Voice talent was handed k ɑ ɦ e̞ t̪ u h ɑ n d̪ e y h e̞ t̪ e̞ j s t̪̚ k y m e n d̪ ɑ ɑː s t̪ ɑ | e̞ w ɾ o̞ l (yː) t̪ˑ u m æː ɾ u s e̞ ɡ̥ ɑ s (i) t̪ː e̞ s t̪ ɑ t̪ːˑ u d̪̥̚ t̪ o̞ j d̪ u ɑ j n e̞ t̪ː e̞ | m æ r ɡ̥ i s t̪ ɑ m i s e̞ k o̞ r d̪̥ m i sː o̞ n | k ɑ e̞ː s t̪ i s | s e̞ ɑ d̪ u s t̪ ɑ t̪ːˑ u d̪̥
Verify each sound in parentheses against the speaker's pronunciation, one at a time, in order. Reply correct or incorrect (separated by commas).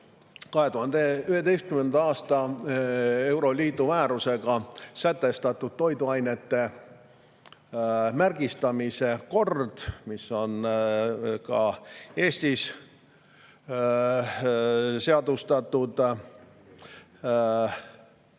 incorrect, incorrect